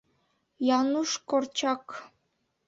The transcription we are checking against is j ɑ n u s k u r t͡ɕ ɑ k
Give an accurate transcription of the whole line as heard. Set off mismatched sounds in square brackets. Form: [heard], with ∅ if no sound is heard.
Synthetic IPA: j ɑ n u [ʃ] k [o] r t͡ɕ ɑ k